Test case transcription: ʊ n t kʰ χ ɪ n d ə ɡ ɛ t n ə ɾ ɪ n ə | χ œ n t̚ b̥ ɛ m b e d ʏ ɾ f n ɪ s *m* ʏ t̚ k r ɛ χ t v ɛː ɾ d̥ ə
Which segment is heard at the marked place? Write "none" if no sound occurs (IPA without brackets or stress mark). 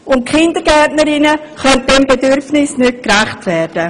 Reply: n